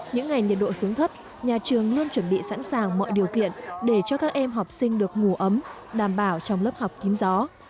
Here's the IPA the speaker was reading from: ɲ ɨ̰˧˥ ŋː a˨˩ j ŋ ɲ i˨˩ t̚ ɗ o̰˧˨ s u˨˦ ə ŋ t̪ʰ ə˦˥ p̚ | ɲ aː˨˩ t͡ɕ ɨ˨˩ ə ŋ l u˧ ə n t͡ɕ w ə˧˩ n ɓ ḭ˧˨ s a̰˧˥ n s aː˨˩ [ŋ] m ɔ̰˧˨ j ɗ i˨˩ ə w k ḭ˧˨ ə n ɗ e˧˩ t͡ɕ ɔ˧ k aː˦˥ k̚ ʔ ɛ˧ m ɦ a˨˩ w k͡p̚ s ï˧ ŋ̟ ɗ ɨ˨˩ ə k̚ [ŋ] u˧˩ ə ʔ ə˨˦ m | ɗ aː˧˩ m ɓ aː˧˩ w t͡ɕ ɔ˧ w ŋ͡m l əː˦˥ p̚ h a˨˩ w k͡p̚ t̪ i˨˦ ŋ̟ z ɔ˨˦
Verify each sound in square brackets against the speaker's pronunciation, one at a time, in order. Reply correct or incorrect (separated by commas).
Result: correct, correct